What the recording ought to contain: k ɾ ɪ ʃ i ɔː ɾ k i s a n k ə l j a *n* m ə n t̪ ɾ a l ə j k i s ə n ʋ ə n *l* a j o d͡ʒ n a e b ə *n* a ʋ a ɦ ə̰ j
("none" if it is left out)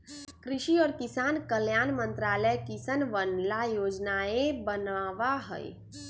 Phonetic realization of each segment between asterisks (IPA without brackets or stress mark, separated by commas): n, l, n